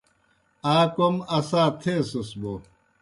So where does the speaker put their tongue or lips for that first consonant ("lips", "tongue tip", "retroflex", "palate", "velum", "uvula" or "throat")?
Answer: velum